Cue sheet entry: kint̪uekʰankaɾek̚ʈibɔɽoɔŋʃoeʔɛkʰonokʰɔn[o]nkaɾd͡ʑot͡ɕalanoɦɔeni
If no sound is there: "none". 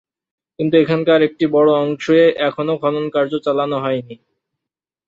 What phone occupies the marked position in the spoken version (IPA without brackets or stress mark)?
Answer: o